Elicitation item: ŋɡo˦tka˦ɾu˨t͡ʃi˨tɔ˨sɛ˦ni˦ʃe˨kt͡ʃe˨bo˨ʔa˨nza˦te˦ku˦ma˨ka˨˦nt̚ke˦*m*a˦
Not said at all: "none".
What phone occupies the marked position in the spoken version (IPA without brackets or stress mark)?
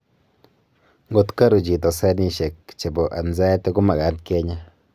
ɲ